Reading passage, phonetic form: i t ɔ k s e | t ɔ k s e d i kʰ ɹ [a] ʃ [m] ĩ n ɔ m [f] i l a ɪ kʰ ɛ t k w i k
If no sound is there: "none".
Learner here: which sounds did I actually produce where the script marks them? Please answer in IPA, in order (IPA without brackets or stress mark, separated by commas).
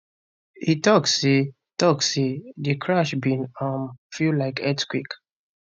a, b, f